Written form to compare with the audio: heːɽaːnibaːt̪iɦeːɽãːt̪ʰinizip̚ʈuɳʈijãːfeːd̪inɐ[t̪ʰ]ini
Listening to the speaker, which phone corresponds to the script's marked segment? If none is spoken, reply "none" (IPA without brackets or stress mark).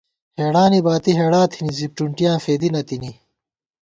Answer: t̪